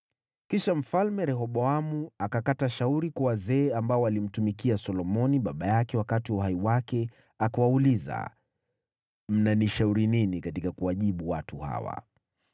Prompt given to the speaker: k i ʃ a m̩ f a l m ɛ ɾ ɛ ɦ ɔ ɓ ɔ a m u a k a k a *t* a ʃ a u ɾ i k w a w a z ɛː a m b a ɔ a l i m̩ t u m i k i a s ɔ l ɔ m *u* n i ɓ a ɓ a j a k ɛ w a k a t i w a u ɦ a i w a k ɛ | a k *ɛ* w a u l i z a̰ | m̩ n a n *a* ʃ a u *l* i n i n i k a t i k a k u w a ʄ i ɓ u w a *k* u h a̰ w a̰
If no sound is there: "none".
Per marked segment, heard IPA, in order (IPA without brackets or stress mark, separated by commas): t, ɔ, a, i, ɾ, t